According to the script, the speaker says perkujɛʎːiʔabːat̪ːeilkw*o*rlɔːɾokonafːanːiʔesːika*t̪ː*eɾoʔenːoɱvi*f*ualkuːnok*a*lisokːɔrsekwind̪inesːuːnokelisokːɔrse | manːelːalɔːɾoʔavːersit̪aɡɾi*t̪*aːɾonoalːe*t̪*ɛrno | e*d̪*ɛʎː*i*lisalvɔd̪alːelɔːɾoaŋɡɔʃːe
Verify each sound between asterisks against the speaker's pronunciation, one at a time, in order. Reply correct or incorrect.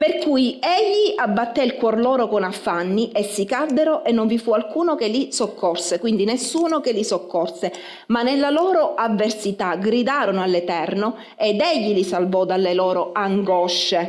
incorrect, incorrect, correct, incorrect, incorrect, correct, correct, correct

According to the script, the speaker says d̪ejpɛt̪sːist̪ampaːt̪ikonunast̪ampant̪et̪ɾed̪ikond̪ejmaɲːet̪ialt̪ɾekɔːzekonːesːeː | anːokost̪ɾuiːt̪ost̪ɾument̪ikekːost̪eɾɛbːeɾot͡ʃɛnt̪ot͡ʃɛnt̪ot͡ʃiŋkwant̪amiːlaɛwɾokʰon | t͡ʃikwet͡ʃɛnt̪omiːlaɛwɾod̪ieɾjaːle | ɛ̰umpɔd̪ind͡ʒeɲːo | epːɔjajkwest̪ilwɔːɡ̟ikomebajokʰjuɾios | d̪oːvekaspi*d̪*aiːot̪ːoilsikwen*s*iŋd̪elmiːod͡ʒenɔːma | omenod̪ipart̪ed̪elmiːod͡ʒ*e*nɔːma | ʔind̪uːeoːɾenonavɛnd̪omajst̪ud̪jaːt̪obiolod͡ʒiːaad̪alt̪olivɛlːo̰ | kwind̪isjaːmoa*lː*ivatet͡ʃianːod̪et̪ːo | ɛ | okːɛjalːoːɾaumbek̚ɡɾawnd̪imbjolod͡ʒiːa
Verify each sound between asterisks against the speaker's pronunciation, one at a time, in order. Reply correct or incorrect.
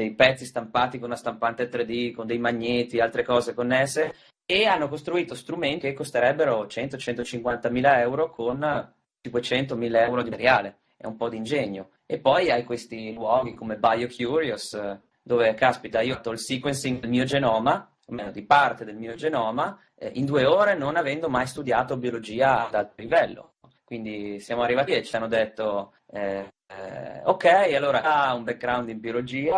incorrect, correct, correct, incorrect

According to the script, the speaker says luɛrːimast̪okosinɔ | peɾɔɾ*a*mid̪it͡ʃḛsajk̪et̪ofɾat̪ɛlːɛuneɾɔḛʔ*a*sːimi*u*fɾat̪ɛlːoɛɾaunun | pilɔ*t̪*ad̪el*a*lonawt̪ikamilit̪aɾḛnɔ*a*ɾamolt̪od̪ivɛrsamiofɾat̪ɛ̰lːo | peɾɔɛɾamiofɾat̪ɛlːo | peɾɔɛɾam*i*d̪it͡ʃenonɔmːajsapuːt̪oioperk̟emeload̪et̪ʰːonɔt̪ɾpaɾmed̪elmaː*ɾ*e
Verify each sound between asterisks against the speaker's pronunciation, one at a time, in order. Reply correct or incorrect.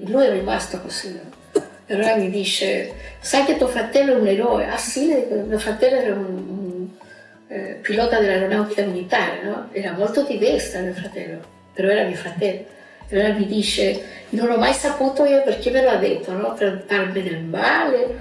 correct, correct, incorrect, correct, correct, incorrect, correct, incorrect

